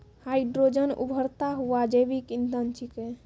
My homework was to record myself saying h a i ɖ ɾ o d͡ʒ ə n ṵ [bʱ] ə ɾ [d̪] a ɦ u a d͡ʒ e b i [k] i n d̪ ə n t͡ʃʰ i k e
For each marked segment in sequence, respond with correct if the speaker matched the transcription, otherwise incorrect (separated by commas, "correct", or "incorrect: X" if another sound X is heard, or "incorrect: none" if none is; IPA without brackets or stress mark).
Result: correct, incorrect: t̪, correct